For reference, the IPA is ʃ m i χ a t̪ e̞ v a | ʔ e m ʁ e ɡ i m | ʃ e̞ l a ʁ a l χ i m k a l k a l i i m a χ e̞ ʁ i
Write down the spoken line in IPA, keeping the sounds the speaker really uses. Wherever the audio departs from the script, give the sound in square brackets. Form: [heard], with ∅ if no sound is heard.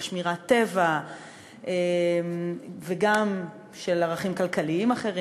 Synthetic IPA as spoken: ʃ m i [ʁ] a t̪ e̞ v a | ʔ e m [v] e ɡ [a] m | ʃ e̞ l a ʁ a [∅] χ i m k a l k a l i i m a χ e̞ ʁ i